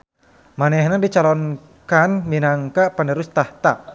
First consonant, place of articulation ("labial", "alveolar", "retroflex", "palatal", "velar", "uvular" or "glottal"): labial